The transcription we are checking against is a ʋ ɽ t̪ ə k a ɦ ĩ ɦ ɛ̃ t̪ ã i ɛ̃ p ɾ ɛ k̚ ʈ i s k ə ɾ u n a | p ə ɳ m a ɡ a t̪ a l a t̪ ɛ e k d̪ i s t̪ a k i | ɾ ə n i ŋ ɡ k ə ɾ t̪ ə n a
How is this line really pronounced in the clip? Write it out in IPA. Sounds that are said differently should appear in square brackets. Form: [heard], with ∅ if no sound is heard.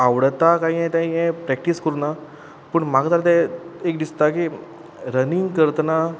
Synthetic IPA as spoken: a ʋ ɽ t̪ [a] k a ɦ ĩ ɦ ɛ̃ t̪ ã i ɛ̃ p ɾ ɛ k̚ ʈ i s k ə ɾ u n a | p ə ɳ m a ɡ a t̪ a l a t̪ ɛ e k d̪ i s t̪ a k i | ɾ ə n i ŋ ɡ k ə ɾ t̪ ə n a